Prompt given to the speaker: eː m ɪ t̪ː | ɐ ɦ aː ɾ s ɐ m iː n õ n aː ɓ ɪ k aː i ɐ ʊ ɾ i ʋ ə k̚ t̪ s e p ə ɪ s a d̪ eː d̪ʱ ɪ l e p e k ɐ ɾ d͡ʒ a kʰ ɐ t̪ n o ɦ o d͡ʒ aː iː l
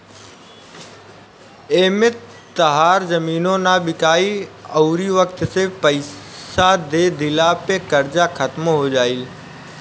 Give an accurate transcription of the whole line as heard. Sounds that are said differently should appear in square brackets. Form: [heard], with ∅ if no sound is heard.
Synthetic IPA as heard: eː m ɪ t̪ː | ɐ ɦ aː ɾ [z] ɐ m iː n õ n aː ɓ ɪ k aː i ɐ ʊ ɾ i ʋ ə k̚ t̪ s e p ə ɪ s a d̪ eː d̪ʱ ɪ l [a] p e k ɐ ɾ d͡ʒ a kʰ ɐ t̪ [m] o ɦ o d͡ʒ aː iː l